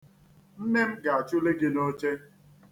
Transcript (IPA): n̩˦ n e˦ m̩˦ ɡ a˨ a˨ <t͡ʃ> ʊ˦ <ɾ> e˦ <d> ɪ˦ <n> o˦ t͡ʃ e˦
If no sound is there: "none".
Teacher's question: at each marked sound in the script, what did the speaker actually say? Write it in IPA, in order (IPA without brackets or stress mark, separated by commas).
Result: t͡ʃ, l, ɡ, n